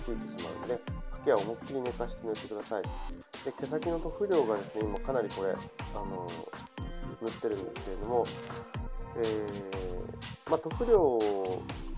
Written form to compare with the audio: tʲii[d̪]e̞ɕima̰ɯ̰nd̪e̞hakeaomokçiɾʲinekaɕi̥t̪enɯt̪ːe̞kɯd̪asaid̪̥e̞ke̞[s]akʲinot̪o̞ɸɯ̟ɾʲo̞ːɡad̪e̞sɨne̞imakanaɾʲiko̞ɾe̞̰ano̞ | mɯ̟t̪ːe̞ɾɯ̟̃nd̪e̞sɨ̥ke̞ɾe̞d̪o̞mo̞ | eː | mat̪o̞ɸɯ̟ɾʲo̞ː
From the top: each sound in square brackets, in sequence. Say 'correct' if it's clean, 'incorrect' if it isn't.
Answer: incorrect, correct

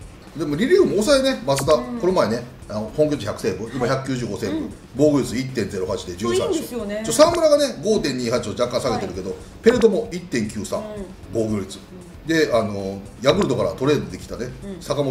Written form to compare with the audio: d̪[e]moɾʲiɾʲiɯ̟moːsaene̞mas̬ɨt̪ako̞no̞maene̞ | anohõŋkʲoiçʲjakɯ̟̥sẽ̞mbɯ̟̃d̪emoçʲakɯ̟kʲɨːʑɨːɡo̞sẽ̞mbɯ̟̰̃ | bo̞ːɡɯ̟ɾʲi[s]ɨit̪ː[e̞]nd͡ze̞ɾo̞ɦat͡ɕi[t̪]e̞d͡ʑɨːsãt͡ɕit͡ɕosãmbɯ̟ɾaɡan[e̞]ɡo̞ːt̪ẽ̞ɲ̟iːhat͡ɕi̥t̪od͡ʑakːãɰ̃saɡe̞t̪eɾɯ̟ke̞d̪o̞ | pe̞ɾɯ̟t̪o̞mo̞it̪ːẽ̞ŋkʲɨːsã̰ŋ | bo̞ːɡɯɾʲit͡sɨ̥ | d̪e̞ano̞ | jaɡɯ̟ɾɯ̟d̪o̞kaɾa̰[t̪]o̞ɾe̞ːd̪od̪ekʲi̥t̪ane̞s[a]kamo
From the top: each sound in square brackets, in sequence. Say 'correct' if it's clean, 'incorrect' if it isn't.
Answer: correct, incorrect, incorrect, incorrect, correct, correct, correct

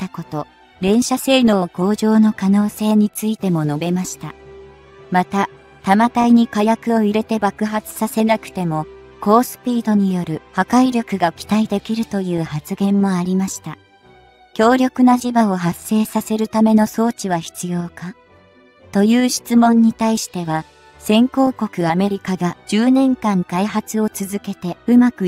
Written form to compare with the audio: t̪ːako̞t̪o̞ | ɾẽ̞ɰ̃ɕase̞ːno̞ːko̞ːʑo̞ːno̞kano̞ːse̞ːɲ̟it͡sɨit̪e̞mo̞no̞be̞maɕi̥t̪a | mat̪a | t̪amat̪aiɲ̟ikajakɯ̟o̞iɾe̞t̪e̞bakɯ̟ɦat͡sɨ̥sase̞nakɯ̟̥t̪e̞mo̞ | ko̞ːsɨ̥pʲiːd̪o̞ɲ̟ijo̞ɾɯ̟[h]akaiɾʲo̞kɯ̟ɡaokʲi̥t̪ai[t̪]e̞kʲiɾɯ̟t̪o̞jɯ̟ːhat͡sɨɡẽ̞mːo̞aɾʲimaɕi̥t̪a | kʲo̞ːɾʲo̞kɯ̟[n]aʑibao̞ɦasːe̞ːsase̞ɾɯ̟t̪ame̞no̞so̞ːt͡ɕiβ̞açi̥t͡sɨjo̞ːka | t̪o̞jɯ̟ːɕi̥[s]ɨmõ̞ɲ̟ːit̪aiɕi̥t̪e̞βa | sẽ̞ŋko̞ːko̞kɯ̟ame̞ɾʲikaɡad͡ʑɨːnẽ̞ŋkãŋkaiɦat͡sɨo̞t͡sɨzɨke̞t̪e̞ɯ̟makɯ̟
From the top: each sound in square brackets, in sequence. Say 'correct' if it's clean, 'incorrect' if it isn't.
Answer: correct, incorrect, correct, incorrect

